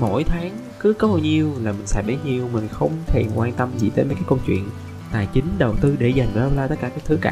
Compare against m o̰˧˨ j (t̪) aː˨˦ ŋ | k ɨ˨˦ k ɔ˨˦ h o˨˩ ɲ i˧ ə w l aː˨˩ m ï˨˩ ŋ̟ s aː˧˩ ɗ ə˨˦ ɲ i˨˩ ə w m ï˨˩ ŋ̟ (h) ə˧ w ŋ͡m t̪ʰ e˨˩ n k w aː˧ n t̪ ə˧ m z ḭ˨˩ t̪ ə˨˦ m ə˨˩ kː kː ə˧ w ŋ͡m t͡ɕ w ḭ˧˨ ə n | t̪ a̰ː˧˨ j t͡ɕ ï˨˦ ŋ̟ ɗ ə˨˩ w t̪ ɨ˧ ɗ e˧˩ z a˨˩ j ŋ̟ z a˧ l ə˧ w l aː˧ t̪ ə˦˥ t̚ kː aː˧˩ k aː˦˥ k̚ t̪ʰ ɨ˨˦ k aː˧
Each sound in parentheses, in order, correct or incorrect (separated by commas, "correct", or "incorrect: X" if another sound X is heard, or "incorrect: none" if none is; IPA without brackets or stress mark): incorrect: t̪ʰ, incorrect: x